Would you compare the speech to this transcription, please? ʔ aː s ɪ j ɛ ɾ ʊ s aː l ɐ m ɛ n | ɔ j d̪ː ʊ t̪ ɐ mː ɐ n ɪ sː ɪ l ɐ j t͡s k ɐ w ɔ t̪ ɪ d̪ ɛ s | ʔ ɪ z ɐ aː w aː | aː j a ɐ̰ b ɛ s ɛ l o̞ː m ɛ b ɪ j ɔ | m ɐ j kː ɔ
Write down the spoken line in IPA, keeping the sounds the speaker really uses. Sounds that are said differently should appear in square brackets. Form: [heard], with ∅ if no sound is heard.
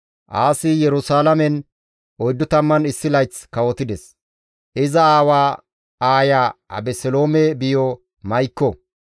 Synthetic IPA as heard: ʔ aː s ɪ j ɛ ɾ ʊ s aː l ɐ m ɛ n | ɔ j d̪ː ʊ t̪ ɐ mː ɐ n ɪ sː ɪ l ɐ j t͡s k ɐ w ɔ t̪ ɪ d̪ ɛ s | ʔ ɪ z ɐ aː w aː | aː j a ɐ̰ b ɛ s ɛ l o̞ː m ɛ b ɪ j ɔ | m ɐ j kː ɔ